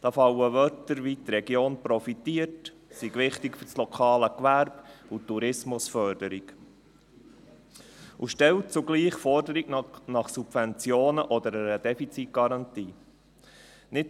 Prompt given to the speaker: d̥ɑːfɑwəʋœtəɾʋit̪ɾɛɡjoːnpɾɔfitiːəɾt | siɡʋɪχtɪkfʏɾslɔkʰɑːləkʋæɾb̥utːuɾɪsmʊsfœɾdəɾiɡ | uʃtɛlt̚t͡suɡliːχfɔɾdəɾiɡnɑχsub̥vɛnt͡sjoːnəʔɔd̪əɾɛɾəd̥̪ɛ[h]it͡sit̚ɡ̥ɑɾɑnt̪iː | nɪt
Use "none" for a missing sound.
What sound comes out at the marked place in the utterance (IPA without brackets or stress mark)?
f